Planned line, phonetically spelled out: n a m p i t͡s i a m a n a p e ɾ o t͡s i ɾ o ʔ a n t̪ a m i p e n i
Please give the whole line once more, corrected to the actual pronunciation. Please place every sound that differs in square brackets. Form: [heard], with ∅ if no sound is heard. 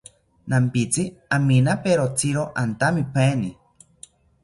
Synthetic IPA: n a m p i t͡s i a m [i] n a p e ɾ o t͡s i ɾ o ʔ a n t̪ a m i p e n i